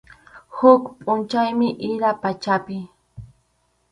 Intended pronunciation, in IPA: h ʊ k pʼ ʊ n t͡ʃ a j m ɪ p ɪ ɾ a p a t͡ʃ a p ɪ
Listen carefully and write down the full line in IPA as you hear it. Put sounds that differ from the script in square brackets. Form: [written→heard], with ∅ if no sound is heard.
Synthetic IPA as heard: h ʊ k pʼ ʊ n t͡ʃ a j m ɪ [p→ʔ] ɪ ɾ a p a t͡ʃ a p ɪ